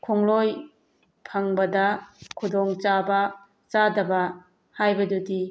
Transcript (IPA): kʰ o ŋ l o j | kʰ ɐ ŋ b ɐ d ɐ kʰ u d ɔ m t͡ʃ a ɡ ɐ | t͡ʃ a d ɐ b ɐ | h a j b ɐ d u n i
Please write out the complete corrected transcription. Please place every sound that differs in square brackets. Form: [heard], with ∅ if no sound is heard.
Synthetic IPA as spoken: kʰ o ŋ l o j | [pʰ] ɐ ŋ b ɐ d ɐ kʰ u d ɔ [ŋ] t͡ʃ a [b] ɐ | t͡ʃ a d ɐ b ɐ | h a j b ɐ d u [d] i